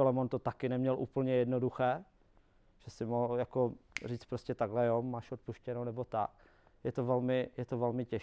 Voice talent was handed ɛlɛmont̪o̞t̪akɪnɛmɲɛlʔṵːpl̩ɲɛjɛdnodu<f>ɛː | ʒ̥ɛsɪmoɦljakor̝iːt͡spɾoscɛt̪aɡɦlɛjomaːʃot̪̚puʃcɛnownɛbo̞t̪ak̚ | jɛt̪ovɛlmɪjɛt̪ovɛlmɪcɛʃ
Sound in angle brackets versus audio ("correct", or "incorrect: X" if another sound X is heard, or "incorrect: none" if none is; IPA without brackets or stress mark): incorrect: x